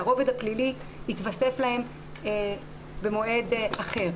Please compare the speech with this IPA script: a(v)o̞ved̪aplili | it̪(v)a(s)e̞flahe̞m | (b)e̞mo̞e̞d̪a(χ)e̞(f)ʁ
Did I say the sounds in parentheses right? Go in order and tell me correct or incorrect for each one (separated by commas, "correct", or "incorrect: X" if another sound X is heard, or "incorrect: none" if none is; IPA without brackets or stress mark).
incorrect: ʁ, correct, correct, correct, correct, incorrect: none